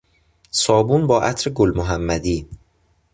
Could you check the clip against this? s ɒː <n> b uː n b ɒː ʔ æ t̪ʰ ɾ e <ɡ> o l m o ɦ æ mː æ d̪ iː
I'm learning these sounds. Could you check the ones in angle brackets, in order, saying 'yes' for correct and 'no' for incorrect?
no, yes

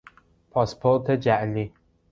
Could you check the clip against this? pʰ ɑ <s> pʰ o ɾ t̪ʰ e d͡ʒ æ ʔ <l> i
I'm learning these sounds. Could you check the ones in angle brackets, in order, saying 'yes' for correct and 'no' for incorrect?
yes, yes

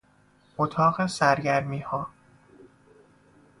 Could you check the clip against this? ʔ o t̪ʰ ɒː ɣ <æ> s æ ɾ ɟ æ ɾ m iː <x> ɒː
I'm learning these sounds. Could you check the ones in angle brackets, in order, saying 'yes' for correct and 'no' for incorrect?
no, no

